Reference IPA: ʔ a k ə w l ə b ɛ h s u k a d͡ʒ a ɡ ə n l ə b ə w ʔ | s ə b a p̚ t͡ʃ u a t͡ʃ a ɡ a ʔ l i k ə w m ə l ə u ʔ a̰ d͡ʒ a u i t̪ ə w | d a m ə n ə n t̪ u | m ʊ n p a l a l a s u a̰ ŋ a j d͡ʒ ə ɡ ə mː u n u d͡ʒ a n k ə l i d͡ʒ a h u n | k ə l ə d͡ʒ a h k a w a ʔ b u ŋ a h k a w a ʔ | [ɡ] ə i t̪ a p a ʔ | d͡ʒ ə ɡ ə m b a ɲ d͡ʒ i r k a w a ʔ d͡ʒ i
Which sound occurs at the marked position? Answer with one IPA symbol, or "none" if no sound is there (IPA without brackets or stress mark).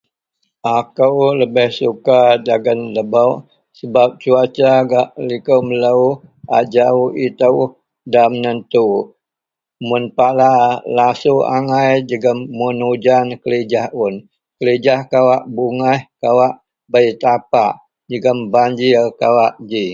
b